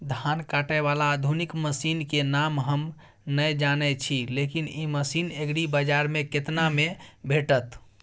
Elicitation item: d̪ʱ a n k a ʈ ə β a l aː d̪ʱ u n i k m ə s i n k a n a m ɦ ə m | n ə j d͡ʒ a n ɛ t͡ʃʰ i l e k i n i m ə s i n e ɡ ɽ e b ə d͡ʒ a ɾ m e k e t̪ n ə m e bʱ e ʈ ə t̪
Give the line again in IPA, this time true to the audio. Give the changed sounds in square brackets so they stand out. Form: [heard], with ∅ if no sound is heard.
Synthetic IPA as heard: d̪ʱ a n k a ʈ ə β a l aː d̪ʱ u n i k m ə s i n k [e] n a m ɦ ə m | n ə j d͡ʒ a n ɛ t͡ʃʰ i l e k i n i m ə s i n e ɡ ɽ [i] b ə d͡ʒ a ɾ m e k e t̪ n [a] m e bʱ e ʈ ə t̪